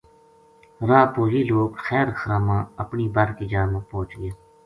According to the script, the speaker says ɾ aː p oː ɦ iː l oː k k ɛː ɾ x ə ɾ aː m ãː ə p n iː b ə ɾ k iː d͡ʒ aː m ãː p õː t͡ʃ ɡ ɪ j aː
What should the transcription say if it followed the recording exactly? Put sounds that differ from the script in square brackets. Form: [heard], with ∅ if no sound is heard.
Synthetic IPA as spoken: ɾ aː p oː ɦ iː l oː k [x] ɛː ɾ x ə ɾ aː m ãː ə p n iː b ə ɾ k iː d͡ʒ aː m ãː p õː t͡ʃ ɡ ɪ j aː